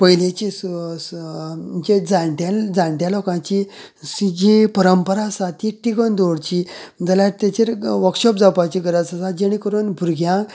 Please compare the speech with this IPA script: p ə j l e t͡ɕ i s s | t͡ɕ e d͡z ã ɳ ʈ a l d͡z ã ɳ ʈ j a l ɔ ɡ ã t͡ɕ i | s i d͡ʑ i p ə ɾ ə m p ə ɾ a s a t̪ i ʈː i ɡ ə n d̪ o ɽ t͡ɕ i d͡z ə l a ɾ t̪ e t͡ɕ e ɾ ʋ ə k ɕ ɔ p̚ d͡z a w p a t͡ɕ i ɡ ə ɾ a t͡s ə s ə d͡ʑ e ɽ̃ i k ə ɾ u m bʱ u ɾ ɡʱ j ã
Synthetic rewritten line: p ə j l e t͡ɕ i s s | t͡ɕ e d͡z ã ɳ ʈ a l d͡z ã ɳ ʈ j a l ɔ k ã t͡ɕ i | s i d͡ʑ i p ə ɾ ə m p ə ɾ a s a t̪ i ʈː i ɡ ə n d̪ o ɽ t͡ɕ i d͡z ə l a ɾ t̪ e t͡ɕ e ɾ ʋ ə k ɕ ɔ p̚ d͡z a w p a t͡ɕ i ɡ ə ɾ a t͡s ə s a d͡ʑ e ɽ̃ i k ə ɾ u n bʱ u ɾ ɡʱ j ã